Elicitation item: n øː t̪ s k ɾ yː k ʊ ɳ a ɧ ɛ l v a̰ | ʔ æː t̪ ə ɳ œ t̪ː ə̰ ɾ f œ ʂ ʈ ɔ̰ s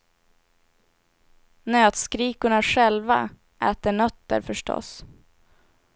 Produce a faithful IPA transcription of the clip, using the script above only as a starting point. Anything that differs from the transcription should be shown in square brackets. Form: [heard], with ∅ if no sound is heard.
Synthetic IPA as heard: n øː t̪ s k ɾ [iː] k ʊ ɳ a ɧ ɛ l v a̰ | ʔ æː t̪ ə ɳ œ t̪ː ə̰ ɾ f œ ʂ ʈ ɔ̰ s